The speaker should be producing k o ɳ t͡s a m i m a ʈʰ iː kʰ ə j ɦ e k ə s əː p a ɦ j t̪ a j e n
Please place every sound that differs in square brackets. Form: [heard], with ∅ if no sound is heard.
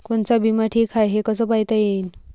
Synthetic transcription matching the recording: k o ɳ t͡s a [b] i m a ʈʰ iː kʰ [a] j ɦ e k ə s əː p a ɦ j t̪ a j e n